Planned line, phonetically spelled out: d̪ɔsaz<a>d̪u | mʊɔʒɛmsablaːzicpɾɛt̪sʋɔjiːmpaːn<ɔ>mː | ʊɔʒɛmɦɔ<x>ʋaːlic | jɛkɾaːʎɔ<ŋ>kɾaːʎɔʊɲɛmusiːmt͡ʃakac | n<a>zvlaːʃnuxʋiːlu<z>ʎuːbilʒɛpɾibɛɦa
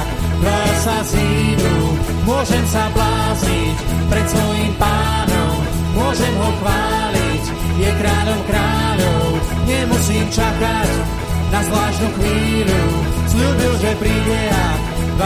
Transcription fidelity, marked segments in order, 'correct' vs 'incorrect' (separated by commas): incorrect, correct, correct, incorrect, correct, incorrect